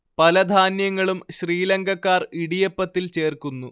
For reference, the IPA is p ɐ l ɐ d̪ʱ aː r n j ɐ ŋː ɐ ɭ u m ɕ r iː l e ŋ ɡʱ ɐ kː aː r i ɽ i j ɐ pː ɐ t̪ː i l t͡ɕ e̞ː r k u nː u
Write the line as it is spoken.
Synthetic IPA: p ɐ l ɐ d̪ʱ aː n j ɐ ŋː ɐ ɭ u m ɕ r iː l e ŋ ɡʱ ɐ kː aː r i ɽ i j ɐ pː ɐ t̪ː i l t͡ɕ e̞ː r k u nː u